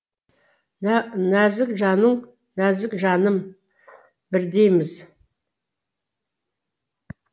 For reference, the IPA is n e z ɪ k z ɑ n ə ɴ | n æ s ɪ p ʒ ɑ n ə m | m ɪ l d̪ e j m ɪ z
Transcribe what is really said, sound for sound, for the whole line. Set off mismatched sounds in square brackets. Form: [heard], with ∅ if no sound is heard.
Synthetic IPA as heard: n [æ] z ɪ k [ʒ] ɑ n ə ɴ | n æ [z] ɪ [k] ʒ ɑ n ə m | [b] ɪ [ɾ] d̪ e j m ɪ z